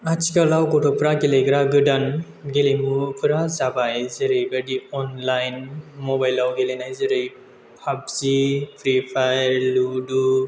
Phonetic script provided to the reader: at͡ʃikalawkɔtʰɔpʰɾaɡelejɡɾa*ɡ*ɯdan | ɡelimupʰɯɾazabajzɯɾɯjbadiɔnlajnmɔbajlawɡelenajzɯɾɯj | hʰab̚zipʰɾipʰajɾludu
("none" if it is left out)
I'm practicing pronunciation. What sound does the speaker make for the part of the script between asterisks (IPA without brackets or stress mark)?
ɡ